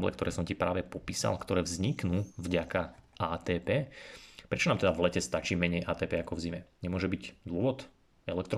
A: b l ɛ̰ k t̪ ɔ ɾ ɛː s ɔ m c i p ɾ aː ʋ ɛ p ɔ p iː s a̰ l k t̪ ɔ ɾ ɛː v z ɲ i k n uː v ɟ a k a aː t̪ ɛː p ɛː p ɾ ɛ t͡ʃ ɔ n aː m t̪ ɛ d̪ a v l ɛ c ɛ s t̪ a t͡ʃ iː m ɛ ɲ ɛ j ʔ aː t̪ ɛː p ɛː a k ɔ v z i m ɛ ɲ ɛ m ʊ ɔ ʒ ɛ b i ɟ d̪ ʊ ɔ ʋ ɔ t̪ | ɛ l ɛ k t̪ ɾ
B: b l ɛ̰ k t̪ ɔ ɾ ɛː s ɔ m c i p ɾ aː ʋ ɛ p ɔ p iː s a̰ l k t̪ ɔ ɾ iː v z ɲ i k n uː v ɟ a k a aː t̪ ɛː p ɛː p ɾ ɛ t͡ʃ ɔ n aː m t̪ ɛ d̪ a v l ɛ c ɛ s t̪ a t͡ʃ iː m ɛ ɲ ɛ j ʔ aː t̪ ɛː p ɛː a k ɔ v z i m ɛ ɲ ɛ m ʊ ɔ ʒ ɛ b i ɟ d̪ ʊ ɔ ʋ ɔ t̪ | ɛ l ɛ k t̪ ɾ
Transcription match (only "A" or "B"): A